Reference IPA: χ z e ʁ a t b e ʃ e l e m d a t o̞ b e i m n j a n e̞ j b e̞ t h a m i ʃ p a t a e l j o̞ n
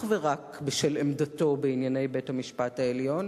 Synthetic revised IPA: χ v e ʁ a k b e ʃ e l e m d a t o̞ b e i n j a n e̞ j b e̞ t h a m i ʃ p a t a e l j o̞ n